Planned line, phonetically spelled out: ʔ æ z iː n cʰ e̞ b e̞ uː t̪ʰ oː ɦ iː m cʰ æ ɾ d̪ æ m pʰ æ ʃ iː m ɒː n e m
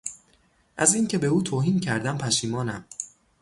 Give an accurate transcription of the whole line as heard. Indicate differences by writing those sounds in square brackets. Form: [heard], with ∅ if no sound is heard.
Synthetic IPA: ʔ æ z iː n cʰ e̞ b e̞ uː t̪ʰ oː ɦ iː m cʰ æ ɾ d̪ æ m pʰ æ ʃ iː m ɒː n [æ] m